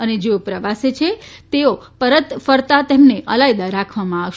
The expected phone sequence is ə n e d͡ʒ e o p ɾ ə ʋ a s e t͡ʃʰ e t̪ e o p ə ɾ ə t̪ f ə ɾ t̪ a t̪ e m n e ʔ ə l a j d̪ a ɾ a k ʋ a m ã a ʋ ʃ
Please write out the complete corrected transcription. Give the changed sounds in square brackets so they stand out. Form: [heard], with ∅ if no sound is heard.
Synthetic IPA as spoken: ə n e d͡ʒ e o p ɾ ə ʋ a s e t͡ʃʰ e t̪ e o p ə ɾ ə t̪ f ə ɾ t̪ a t̪ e m n e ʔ ə l a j d̪ a ɾ a [kʰ] ʋ a m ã a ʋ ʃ